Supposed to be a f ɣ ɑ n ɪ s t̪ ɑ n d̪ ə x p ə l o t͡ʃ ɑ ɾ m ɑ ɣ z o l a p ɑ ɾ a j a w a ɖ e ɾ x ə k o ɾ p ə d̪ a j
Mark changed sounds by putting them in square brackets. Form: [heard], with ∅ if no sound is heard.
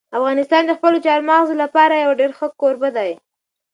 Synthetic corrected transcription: a f ɣ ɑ n ɪ s t̪ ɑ n d̪ ə x p ə l o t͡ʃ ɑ ɾ m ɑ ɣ z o l a p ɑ ɾ a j a w a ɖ e ɾ x ə k o ɾ [b] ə d̪ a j